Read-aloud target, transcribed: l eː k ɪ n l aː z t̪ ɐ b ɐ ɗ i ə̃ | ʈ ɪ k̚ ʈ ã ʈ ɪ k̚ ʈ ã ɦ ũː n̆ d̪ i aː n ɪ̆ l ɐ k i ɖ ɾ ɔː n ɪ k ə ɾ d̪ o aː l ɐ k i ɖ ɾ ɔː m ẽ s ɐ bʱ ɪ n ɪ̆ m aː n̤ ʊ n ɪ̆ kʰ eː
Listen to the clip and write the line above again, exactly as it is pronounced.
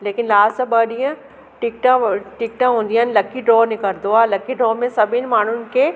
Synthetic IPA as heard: l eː k ɪ n l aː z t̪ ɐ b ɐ ɗ i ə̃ | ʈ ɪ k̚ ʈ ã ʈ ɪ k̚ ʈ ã ɦ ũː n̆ d̪ i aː n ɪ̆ l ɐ k i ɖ ɾ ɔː n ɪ k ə ɾ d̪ o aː l ɐ k i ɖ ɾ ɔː m ẽ s ɐ bʱ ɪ n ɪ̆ m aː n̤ ʊ n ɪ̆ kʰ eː

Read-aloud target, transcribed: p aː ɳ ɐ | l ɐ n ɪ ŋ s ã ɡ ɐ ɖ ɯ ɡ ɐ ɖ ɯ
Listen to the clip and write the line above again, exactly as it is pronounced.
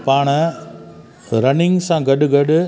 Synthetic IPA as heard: p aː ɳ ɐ | ɾ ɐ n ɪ ŋ s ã ɡ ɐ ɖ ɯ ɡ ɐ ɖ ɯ

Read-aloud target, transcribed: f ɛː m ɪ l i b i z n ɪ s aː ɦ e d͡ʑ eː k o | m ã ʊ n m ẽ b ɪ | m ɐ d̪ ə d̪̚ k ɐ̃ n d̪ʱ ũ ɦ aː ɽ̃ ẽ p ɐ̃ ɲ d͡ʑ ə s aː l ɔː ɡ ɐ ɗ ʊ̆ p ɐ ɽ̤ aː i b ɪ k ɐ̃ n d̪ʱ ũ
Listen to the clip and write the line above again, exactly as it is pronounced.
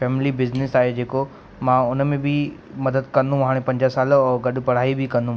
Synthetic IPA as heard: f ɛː m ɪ l i b ɪ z n ɪ s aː ɦ e d͡ʑ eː k o | m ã ʊ n m ẽ b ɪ | m ɐ d̪ ə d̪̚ k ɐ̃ n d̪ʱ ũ ɦ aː ɽ̃ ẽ p ɐ̃ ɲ d͡ʑ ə s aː l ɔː ɡ ɐ ɗ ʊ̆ p ɐ ɽ̤ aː i b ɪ k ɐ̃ n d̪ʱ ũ

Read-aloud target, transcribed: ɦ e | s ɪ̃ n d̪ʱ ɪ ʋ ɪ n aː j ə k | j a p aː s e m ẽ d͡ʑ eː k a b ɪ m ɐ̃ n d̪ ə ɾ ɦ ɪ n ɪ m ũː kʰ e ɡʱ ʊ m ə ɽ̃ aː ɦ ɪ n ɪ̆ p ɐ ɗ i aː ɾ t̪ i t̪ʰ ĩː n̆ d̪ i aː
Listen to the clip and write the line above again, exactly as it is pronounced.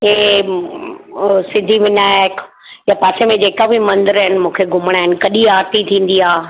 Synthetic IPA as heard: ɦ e | s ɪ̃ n d̪ʱ i ʋ ɪ n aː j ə k | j a p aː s e m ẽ d͡ʑ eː k a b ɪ m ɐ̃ n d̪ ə ɾ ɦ ɪ n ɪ m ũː kʰ e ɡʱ ʊ m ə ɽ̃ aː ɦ ɪ n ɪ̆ k ɐ ɗ i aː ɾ t̪ i t̪ʰ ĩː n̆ d̪ i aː

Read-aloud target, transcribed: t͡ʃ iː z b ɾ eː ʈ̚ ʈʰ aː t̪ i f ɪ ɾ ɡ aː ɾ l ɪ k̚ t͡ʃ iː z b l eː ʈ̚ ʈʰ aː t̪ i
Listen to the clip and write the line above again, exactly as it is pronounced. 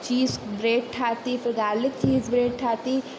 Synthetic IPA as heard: t͡ʃ iː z b ɾ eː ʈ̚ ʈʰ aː t̪ i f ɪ ɾ ɡ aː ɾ l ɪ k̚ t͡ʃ iː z b ɾ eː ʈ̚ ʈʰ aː t̪ i

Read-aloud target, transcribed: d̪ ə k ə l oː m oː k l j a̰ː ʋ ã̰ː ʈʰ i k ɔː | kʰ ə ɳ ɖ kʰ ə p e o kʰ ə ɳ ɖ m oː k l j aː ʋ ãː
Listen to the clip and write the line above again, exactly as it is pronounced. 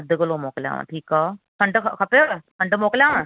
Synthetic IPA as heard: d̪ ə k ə l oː m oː k l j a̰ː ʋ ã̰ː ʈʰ iː k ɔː | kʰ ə ɳ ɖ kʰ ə p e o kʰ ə ɳ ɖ m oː k l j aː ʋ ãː

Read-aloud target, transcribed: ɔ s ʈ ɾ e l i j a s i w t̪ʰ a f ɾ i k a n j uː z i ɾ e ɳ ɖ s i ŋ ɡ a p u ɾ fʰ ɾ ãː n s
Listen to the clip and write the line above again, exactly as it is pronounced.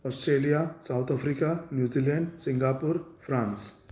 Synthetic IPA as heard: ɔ s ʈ ɾ e l i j a s a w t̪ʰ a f ɾ i k a n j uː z i l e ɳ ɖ s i ŋ ɡ a p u ɾ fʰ ɾ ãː n s

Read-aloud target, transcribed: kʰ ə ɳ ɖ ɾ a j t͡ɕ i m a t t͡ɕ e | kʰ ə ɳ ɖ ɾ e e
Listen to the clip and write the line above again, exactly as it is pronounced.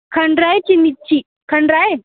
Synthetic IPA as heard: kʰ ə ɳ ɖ ɾ a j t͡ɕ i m i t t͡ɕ i | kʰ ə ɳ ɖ ɾ a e

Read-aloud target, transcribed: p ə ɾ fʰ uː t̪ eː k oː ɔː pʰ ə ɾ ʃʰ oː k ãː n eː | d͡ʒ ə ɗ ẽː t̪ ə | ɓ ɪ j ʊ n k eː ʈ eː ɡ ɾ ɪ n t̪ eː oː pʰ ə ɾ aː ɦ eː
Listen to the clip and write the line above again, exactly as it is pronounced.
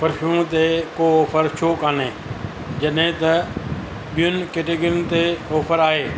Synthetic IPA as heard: p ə ɾ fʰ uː t̪ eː k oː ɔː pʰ ə ɾ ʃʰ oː k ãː n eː | d͡ʒ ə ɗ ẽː t̪ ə | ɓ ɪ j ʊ n k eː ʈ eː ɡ ɾ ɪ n t̪ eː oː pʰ ə ɾ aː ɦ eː

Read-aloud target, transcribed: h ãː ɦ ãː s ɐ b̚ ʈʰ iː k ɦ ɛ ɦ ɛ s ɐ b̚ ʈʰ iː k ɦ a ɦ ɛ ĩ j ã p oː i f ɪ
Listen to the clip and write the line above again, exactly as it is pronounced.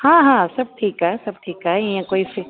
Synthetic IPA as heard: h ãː ɦ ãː s ɐ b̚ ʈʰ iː k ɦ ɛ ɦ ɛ s ɐ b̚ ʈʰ iː k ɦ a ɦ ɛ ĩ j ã k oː i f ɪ

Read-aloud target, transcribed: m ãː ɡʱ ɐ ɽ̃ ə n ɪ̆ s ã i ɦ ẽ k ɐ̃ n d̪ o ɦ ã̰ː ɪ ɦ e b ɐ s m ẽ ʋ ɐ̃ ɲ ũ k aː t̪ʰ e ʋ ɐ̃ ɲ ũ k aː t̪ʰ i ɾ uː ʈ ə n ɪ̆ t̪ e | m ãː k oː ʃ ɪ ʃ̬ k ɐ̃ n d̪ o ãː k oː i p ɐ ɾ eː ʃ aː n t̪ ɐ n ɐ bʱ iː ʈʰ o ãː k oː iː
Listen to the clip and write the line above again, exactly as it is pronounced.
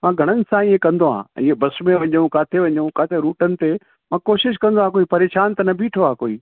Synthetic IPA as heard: m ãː ɡʱ ɐ ɽ̃ ə n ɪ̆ s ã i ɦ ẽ k ɐ̃ n d̪ o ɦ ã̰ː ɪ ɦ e b ɐ s m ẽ ʋ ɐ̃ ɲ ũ k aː t̪ʰ e ʋ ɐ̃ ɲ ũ k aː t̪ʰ e ɾ uː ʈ ə n ɪ̆ t̪ e | m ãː k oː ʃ ɪ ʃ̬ k ɐ̃ n d̪ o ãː k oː i p ɐ ɾ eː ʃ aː n t̪ ɐ n ɐ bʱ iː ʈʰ o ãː k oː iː

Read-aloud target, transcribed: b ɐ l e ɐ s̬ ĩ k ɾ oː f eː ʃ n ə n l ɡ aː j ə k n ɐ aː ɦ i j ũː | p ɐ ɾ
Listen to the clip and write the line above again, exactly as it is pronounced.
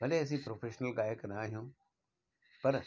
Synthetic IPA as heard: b ɐ l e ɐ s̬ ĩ p ɾ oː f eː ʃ n ə l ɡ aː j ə k n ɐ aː ɦ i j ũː | p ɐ ɾ

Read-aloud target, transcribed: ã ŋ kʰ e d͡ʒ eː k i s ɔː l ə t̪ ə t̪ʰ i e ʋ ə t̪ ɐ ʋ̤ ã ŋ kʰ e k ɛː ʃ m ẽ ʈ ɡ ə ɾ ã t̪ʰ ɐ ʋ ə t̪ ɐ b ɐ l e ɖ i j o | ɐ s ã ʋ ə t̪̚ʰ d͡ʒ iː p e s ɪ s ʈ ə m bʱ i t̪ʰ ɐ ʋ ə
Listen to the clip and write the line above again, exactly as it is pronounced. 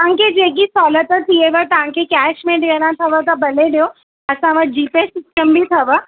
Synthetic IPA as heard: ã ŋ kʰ e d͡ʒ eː k i s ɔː l ə t̪ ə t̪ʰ i e ʋ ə t̪ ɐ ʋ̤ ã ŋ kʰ e k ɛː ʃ m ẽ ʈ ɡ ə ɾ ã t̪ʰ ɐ ʋ ə t̪ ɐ b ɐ l e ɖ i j o | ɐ s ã ʋ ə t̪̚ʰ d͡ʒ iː p e s ɪ s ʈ ə m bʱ i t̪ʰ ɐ ʋ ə

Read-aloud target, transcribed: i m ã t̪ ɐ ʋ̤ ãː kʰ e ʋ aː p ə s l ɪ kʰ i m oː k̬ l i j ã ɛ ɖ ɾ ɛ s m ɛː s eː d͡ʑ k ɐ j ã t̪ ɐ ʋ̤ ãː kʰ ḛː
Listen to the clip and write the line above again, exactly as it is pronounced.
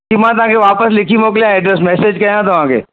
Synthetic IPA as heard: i m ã t̪ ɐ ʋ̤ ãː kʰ e ʋ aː p ə s l ɪ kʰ i m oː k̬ l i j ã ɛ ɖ ɾ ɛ s m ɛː s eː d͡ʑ k ɐ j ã t̪ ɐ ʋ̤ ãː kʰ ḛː

